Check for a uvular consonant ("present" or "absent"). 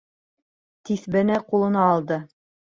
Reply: present